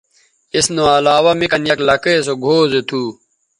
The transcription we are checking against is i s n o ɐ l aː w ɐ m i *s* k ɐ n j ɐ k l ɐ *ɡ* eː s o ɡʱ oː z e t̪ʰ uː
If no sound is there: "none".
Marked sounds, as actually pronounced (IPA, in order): none, k

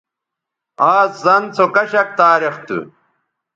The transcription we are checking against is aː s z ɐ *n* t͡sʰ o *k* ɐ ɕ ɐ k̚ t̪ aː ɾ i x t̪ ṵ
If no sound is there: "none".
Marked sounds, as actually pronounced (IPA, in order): n, k

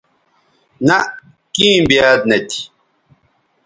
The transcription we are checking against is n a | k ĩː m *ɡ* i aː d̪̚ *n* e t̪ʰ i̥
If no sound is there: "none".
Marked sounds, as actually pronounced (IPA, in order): b, n

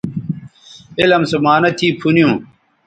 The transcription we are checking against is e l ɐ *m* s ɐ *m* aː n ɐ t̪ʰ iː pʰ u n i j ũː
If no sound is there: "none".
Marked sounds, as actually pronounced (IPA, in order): m, m

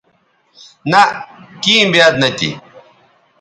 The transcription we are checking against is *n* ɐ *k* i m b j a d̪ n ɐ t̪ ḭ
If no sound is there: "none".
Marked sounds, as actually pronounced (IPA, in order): n, k

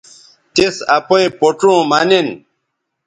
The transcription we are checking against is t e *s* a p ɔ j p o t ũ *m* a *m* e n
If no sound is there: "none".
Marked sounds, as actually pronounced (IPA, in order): s, m, n

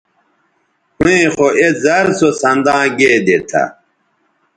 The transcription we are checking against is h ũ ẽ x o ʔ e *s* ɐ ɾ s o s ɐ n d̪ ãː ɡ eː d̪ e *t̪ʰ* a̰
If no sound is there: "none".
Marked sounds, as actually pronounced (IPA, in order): z, t̪ʰ

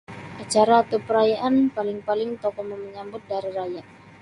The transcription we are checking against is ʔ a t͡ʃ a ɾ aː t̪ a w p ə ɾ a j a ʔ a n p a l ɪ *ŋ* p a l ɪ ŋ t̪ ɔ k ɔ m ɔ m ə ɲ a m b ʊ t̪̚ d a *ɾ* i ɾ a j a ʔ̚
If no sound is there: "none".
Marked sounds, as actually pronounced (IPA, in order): ŋ, ɾ

